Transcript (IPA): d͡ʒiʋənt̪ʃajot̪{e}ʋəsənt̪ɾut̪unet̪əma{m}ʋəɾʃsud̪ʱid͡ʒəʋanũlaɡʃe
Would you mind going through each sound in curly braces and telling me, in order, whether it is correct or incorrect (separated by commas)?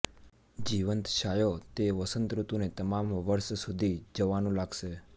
correct, correct